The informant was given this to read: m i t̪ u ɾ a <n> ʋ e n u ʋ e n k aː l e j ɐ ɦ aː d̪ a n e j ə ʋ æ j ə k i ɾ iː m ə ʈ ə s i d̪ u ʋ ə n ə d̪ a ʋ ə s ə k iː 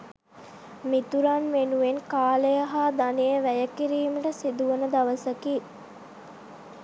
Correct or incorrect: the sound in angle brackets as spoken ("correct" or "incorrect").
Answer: correct